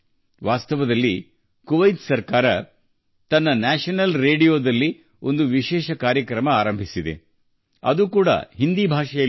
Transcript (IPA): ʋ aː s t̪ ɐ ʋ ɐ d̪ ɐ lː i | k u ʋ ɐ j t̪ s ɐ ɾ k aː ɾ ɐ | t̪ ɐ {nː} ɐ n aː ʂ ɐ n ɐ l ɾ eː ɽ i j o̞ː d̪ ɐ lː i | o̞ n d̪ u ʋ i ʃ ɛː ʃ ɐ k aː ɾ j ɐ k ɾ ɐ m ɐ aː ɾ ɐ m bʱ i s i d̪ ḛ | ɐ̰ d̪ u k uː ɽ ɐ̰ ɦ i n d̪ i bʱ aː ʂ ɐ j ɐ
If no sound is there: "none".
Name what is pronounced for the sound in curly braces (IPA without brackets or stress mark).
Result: nː